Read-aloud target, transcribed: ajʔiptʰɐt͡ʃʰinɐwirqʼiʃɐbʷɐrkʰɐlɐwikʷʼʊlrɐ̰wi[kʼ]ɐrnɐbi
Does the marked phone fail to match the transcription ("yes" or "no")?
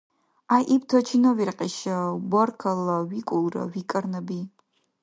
no